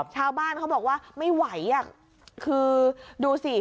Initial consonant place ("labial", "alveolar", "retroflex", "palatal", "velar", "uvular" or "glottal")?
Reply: labial